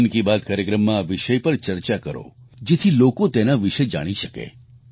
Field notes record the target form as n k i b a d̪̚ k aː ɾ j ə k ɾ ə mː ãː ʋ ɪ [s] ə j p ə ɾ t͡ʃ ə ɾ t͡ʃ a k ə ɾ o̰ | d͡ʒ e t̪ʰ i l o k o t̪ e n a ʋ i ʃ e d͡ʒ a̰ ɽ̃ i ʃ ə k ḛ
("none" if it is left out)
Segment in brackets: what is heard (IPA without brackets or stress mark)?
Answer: ʃ